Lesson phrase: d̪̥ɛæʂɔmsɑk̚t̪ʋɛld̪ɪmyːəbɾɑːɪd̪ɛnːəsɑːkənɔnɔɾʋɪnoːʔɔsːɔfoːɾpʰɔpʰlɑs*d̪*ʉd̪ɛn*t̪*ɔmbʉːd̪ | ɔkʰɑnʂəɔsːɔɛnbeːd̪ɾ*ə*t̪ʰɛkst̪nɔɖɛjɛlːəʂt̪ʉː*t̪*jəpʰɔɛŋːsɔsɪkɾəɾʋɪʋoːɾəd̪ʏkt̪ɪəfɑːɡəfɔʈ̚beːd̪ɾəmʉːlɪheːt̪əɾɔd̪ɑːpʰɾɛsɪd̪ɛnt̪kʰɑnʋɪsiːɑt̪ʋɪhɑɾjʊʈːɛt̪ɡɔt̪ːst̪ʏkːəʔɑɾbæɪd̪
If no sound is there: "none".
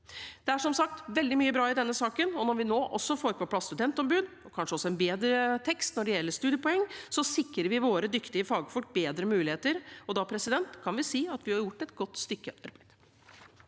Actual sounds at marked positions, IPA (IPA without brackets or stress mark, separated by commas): t̪, t̪, ə, d̪